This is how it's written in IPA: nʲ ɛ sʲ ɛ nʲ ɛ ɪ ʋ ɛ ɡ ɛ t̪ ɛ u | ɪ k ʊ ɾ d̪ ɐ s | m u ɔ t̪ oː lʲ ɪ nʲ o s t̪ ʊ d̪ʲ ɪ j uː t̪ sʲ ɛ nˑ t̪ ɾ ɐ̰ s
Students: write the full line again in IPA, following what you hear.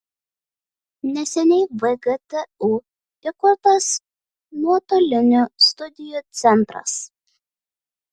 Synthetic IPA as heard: nʲ ɛ sʲ ɛ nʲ ɛ ɪ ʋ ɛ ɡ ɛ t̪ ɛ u | ɪ k ʊ ɾ t̪ ɐ s | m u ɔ t̪ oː lʲ ɪ nʲ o s t̪ ʊ d̪ʲ ɪ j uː t̪ sʲ ɛ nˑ t̪ ɾ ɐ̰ s